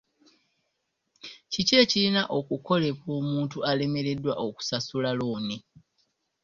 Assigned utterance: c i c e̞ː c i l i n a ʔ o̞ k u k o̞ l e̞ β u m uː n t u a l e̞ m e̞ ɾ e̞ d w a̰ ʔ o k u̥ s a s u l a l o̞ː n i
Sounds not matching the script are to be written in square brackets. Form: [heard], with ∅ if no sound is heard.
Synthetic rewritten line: c i c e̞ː c i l i n a ʔ o̞ k u k o̞ l e̞ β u m uː n t u a l e̞ m e̞ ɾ e̞ d w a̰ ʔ o k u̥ s a s u l a l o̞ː n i